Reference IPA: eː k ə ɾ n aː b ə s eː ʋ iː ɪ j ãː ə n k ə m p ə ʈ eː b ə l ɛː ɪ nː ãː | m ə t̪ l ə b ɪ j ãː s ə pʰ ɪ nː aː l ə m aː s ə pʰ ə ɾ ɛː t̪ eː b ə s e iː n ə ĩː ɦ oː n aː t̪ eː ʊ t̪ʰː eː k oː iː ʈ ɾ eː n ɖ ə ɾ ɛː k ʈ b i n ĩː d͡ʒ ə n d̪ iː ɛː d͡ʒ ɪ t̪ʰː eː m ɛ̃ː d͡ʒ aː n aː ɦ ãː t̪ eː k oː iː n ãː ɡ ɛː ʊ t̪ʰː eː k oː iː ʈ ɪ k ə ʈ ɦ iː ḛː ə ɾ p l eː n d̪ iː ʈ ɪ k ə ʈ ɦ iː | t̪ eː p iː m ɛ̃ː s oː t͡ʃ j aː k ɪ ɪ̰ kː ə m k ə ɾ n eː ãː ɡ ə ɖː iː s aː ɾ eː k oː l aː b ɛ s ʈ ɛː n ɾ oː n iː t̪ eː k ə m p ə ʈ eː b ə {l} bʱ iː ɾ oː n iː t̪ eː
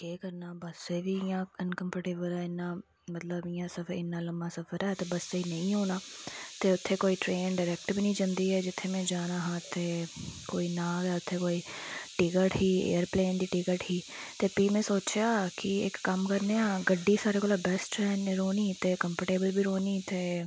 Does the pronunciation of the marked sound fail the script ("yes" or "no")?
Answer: no